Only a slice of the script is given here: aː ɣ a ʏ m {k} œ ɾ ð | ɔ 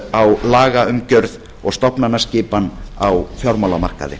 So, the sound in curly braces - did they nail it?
no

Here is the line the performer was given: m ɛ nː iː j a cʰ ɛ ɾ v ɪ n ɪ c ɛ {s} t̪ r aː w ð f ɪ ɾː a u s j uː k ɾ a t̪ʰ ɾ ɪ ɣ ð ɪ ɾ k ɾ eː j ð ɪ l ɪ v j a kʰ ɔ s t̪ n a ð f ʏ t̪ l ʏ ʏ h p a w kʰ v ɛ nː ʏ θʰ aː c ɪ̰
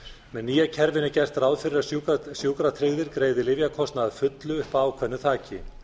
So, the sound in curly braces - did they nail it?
yes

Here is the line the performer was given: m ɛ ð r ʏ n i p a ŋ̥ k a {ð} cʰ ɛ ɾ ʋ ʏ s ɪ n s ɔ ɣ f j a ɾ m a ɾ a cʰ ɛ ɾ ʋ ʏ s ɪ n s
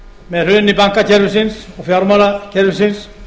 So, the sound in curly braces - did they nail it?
no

